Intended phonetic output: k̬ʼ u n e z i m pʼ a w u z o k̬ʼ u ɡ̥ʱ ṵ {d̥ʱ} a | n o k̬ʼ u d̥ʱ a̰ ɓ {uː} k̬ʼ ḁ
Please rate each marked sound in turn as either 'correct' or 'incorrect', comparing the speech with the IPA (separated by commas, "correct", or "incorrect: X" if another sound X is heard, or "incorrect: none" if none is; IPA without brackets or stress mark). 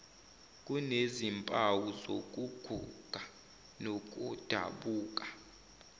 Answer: incorrect: ɡ̥ʱ, correct